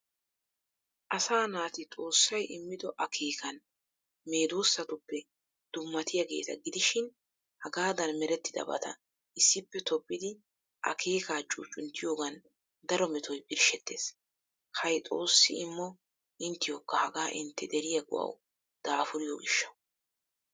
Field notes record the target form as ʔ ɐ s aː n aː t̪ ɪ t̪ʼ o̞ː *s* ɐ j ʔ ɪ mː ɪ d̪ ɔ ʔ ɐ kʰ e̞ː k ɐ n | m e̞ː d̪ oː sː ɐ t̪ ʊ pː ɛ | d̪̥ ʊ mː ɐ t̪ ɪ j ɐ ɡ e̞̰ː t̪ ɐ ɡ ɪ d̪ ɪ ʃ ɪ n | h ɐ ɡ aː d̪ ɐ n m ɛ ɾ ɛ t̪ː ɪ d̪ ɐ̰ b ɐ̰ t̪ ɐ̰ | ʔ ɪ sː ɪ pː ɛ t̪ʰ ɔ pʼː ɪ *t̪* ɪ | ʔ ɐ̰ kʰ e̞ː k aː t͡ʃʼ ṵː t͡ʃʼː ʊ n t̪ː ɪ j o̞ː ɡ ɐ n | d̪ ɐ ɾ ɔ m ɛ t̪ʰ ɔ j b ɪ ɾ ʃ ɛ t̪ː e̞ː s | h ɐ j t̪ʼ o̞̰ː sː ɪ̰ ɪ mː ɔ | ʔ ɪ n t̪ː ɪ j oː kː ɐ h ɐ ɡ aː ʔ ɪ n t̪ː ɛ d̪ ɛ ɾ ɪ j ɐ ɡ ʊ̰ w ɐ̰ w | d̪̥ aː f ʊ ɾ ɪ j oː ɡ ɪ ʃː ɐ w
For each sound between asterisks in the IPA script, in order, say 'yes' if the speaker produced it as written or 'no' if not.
no, no

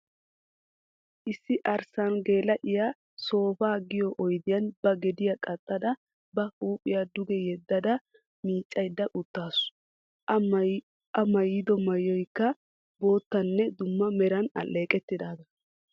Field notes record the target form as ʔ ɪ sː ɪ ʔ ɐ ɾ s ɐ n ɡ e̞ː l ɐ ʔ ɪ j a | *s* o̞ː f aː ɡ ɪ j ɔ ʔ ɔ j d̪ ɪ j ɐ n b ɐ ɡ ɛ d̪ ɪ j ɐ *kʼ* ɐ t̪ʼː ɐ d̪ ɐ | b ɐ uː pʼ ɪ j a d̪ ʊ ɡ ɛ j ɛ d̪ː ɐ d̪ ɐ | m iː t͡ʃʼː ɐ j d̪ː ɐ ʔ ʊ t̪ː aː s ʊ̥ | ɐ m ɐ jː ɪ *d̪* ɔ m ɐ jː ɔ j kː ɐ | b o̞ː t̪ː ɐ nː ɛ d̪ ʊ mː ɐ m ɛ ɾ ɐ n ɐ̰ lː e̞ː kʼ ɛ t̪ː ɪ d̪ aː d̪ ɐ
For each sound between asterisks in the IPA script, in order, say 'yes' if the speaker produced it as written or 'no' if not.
yes, yes, yes

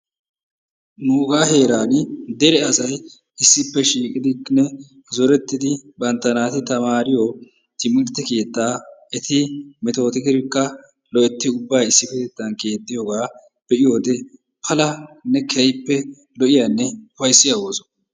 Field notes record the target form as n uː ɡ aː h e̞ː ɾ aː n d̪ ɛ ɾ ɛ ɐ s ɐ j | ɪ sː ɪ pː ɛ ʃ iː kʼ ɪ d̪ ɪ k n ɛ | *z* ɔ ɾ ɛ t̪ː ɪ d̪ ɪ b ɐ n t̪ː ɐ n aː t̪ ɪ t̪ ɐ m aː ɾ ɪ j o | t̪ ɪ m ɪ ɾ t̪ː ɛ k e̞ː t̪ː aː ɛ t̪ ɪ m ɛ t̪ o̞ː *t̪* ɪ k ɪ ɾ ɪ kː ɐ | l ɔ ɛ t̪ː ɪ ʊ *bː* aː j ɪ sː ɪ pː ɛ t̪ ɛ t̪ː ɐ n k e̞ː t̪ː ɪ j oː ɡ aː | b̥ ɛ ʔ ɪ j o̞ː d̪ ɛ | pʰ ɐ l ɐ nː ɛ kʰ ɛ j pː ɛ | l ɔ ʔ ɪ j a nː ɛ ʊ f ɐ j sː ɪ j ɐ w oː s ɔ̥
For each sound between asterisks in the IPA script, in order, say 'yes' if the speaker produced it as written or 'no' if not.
yes, yes, yes

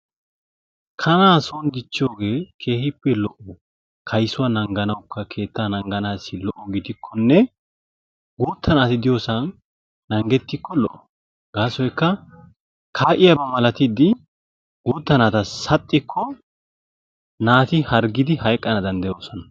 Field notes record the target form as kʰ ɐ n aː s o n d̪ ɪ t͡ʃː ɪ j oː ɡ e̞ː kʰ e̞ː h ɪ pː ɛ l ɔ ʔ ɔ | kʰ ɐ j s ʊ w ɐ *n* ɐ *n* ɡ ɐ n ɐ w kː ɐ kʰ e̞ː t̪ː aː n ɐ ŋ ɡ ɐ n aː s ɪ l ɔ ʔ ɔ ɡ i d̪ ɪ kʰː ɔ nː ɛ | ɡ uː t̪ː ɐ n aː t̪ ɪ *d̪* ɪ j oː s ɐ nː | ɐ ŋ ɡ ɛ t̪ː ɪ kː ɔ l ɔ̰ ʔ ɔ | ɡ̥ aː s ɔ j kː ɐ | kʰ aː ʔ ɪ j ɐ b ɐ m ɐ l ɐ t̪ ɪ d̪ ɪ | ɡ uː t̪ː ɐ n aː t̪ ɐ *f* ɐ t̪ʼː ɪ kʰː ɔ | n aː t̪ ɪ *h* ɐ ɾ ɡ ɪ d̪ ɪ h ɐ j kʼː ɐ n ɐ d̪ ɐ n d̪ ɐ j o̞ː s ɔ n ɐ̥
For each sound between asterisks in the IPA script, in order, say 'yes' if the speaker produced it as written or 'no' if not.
yes, no, yes, no, yes

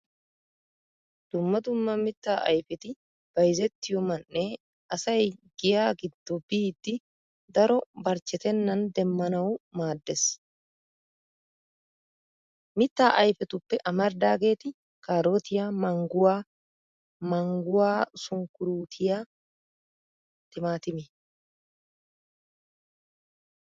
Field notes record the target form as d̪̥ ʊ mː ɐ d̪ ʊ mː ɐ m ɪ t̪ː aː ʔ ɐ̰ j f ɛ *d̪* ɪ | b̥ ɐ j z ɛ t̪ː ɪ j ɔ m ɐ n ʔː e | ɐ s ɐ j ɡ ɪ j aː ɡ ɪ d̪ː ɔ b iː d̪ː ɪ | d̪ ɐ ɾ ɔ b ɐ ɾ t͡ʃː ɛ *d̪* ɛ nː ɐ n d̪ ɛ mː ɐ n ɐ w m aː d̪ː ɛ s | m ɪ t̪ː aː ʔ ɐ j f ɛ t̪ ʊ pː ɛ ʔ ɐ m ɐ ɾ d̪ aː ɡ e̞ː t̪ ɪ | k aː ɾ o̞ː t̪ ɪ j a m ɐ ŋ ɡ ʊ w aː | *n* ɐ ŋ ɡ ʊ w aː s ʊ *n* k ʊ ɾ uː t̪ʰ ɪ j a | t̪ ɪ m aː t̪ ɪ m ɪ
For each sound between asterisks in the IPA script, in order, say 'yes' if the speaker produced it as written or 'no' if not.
no, no, no, no

